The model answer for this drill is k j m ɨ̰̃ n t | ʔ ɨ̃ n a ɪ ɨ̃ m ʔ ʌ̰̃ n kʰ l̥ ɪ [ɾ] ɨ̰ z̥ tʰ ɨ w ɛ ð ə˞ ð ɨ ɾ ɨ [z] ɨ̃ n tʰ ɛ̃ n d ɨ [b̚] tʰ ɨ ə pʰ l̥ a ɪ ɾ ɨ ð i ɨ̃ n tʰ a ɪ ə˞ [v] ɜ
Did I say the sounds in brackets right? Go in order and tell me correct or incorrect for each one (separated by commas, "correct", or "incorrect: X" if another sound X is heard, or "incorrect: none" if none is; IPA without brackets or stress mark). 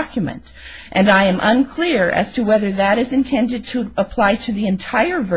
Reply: incorrect: ɹ, correct, incorrect: d̚, correct